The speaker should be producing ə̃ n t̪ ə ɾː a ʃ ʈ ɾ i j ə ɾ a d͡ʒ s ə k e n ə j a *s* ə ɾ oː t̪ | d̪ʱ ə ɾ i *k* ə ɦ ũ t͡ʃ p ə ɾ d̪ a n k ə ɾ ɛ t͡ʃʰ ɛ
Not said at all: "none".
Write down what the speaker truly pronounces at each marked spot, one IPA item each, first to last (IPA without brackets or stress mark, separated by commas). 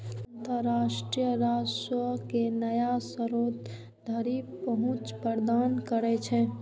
s, p